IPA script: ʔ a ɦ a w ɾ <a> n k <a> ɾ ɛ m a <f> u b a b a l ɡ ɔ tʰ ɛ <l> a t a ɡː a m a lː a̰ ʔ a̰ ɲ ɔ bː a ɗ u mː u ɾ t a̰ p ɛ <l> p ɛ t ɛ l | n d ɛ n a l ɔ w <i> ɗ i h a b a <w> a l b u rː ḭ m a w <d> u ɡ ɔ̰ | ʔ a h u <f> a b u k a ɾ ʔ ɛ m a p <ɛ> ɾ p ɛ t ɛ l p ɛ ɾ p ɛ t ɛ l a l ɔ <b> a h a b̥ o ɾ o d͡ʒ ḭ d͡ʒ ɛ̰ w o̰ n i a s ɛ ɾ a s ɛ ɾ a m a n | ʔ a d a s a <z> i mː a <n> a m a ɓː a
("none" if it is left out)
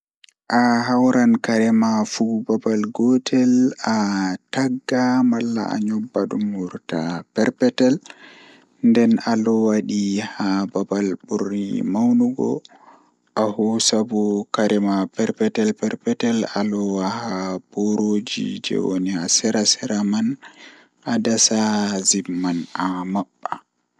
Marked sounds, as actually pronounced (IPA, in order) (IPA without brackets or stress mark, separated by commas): a, a, f, l, ɾ, a, b, n, s, ɛ, w, z, n